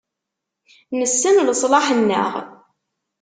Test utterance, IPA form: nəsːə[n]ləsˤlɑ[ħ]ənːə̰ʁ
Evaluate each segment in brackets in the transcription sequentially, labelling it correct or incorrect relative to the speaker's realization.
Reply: correct, correct

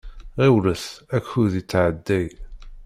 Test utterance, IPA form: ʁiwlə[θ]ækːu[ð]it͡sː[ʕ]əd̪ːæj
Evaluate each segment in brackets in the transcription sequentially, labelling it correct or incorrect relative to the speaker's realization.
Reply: correct, correct, correct

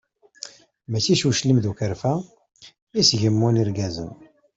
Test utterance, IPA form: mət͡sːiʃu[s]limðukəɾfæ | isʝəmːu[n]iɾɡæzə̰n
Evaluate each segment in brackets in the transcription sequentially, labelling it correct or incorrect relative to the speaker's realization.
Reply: incorrect: ʃ, correct

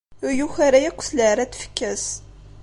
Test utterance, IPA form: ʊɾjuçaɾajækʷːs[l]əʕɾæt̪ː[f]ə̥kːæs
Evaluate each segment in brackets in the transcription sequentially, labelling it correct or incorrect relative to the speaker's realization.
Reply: correct, correct

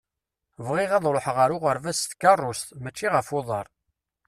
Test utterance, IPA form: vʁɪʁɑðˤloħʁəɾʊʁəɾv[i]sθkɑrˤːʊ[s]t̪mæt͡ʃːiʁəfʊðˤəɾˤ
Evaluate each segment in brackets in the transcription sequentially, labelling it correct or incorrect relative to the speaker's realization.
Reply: incorrect: æ, correct

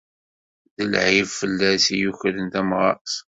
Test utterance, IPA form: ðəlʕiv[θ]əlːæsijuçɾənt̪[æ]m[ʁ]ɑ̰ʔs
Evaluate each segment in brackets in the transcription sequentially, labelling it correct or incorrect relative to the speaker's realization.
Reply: incorrect: f, correct, correct

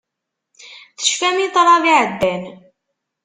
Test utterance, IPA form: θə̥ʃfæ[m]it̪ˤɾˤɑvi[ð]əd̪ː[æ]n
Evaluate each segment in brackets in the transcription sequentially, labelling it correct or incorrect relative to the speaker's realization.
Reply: correct, incorrect: ʕ, correct

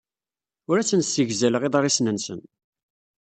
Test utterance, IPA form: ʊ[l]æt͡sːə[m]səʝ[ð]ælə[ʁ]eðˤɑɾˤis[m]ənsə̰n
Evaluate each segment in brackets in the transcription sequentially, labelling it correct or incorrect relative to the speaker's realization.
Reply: incorrect: ɾ, incorrect: n, incorrect: z, correct, incorrect: n

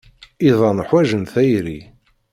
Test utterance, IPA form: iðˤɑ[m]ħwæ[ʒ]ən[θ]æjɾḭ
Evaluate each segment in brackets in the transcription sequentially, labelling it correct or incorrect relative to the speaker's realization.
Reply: incorrect: n, correct, correct

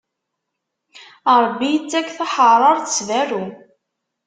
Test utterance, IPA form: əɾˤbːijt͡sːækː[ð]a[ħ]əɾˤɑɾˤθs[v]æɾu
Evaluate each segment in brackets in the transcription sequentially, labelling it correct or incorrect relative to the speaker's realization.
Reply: incorrect: θ, correct, correct

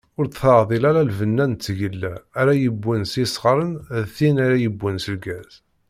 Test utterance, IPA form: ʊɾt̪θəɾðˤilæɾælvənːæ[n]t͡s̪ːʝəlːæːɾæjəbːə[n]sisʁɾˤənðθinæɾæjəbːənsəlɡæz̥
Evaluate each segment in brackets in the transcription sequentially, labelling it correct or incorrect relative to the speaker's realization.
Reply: correct, correct

